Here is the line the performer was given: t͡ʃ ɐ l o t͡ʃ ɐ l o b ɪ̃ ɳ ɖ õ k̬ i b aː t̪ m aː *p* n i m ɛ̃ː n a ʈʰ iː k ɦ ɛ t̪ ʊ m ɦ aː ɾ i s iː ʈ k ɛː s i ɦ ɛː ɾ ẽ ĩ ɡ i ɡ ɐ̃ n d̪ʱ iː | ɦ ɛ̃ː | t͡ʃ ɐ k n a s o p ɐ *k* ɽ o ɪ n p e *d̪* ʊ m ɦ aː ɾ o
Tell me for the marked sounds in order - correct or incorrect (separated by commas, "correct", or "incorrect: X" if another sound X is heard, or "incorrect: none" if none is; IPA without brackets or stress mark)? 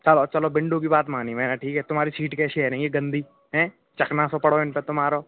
incorrect: none, incorrect: none, incorrect: t̪